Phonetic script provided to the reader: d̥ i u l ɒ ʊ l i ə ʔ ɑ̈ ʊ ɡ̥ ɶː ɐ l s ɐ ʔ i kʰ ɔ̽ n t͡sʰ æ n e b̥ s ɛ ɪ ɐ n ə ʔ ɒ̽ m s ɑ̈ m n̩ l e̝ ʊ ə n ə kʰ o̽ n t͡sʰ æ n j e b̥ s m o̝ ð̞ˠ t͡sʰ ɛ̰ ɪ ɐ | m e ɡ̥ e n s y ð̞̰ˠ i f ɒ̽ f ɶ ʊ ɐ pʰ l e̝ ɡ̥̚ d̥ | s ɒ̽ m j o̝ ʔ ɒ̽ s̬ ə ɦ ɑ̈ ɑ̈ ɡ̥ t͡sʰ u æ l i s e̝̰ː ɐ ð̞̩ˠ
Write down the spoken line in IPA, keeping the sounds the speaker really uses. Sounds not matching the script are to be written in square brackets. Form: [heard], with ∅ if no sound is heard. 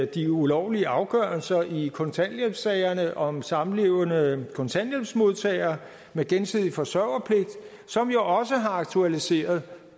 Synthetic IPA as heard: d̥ i u l ɒ ʊ l i ə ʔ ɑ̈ ʊ ɡ̥ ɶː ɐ l s ɐ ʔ i kʰ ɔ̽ n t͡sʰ æ n e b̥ s ɛ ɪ ɐ n ə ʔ ɒ̽ m s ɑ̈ m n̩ l e̝ ʊ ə n ə kʰ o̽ n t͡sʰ æ n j e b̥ s m o̝ ð̞ˠ t͡sʰ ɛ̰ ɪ ɐ | m e ɡ̥ e n s [i] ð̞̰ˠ i f ɒ̽ [s] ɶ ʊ ɐ pʰ l e̝ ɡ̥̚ d̥ | s ɒ̽ m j o̝ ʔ ɒ̽ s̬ ə ɦ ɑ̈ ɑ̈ ɡ̥ t͡sʰ u æ l i s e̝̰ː ɐ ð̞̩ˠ

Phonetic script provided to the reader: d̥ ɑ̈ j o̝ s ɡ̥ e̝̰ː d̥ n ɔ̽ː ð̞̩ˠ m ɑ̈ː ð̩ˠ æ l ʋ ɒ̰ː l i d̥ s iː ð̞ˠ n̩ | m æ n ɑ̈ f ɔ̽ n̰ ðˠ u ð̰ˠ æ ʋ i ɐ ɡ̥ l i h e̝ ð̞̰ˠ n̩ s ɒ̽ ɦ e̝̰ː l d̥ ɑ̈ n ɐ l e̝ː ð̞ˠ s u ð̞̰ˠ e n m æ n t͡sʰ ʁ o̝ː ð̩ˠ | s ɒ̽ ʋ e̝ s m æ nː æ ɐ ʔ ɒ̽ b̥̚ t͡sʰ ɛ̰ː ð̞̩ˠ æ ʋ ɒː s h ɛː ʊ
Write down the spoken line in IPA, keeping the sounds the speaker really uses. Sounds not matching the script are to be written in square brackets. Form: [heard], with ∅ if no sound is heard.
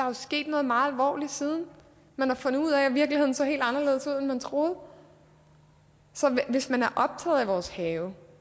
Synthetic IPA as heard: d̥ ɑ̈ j o̝ s ɡ̥ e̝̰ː d̥ n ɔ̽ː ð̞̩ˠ m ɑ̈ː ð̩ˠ æ l ʋ ɒ̰ː l i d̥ s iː ð̞ˠ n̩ | m æ n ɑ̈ f ɔ̽ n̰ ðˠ u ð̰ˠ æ ʋ i ɐ ɡ̥ l i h e̝ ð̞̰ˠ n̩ s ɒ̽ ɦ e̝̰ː l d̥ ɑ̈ n ɐ l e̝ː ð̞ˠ s u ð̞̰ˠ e n m æ n t͡sʰ ʁ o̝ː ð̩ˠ | s ɒ̽ ʋ e̝ s m æ [n] æ ɐ ʔ ɒ̽ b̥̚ t͡sʰ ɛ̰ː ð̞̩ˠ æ ʋ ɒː s h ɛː ʊ

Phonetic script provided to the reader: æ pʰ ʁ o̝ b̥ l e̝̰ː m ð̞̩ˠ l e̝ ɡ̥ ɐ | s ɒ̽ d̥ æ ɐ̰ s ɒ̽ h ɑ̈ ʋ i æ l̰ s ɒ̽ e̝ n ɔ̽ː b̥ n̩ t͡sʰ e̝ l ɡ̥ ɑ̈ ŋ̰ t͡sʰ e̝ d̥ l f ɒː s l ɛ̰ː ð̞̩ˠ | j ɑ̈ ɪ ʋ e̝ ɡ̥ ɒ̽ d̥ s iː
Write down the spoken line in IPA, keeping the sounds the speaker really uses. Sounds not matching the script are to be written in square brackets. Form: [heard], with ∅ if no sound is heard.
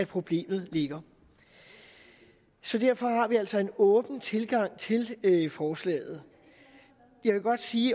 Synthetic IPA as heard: æ pʰ ʁ o̝ b̥ l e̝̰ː m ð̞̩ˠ l e̝ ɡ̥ ɐ | s ɒ̽ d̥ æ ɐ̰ [f] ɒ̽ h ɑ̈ ʋ i æ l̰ s ɒ̽ e̝ n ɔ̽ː b̥ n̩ t͡sʰ e̝ l ɡ̥ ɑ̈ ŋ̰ t͡sʰ e̝ [∅] l f ɒː s l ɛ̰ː ð̞̩ˠ | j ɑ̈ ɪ ʋ e̝ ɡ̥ ɒ̽ d̥ s iː

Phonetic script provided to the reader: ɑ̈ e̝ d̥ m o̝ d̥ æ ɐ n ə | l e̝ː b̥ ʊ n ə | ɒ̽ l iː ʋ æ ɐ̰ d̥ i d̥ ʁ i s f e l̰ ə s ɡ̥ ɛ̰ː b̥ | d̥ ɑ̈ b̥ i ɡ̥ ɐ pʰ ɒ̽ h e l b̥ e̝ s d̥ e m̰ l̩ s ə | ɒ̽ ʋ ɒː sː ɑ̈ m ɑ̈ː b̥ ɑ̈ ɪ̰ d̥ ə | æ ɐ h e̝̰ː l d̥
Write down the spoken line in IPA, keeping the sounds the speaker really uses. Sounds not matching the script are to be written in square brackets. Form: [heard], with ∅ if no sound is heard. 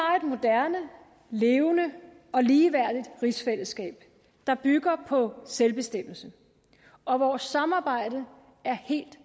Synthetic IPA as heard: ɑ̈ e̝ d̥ m o̝ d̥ æ ɐ n ə | l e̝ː [∅] ʊ n ə | ɒ̽ l iː ʋ æ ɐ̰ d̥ i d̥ ʁ i s f e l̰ ə s ɡ̥ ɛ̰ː b̥ | d̥ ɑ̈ b̥ [y] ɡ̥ ɐ pʰ ɒ̽ [s] e l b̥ e̝ s d̥ e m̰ l̩ s ə | ɒ̽ ʋ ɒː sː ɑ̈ m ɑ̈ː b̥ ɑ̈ ɪ̰ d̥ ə | æ ɐ h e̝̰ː l d̥

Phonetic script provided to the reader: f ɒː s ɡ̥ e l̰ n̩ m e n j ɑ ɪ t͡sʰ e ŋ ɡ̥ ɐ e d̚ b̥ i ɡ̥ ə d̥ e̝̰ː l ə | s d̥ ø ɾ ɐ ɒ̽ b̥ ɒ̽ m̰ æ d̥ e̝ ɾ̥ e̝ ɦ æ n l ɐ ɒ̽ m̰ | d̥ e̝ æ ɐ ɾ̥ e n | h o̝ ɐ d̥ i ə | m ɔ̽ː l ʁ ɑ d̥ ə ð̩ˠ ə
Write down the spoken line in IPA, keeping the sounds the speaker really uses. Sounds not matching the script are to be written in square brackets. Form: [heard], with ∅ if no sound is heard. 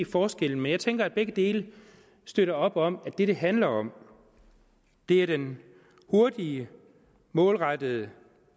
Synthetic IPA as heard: f ɒː s ɡ̥ e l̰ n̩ m e n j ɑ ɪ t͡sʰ e ŋ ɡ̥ ɐ [æ] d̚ b̥ [e] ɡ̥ ə d̥ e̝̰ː l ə | s d̥ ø ɾ ɐ ɒ̽ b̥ ɒ̽ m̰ æ d̥ e̝ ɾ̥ e̝ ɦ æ n l ɐ ɒ̽ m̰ | d̥ e̝ æ ɐ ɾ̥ e n | h o̝ ɐ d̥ i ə | m ɔ̽ː l ʁ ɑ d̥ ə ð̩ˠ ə

